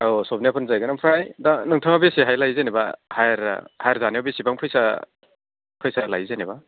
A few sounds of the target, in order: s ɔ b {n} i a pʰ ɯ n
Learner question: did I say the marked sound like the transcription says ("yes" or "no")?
yes